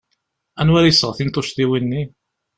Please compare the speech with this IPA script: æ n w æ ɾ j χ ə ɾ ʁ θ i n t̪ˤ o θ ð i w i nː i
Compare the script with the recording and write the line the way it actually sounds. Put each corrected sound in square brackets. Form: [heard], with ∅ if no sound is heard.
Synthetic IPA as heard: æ n w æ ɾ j [s] ə [∅] ʁ θ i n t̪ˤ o [ʃ] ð i w i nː i